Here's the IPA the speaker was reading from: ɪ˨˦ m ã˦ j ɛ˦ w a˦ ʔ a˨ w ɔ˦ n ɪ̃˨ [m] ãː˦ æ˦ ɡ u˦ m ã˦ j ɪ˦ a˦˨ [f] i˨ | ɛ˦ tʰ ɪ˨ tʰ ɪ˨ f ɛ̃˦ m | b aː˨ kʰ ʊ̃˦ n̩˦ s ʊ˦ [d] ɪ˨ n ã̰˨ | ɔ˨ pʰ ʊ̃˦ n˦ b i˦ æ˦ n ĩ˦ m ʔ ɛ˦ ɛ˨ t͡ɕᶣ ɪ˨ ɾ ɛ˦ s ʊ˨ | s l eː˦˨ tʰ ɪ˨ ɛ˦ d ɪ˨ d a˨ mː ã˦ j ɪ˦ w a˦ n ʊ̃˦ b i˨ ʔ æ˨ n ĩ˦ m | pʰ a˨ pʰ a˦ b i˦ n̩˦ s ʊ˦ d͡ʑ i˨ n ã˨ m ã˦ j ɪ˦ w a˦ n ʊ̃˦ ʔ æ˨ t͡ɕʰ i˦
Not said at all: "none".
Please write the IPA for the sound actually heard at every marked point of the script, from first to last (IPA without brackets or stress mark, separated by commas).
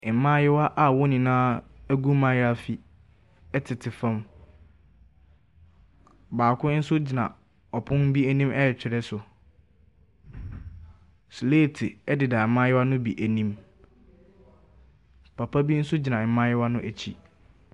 n, f, d͡ʑ